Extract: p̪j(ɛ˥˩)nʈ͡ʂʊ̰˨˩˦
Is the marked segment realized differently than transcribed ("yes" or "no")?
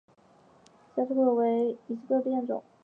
no